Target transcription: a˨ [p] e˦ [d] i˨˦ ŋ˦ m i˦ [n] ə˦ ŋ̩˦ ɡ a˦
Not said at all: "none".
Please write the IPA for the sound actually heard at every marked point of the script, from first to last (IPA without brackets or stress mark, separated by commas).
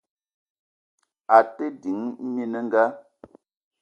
t, d, n